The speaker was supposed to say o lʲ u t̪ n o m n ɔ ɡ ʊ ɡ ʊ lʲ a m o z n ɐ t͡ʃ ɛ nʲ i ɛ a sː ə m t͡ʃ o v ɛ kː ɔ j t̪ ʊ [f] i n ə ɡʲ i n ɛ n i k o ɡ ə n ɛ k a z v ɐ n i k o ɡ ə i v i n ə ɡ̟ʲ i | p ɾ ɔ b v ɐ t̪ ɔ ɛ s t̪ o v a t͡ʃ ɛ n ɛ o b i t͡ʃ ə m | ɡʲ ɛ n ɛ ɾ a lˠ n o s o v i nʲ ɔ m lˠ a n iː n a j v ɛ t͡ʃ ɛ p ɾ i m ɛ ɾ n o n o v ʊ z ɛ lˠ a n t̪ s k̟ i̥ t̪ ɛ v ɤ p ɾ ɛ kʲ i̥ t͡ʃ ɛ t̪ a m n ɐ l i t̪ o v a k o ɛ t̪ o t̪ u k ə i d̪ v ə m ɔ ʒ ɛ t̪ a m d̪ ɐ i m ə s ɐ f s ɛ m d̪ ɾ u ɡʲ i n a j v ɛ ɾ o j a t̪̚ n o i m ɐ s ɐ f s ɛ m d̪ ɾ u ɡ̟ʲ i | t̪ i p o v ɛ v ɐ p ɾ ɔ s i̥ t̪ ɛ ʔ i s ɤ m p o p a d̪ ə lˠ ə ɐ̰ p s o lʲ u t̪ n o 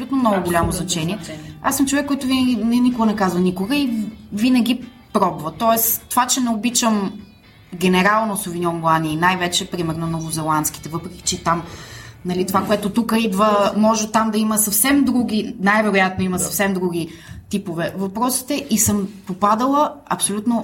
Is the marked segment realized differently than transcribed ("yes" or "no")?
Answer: yes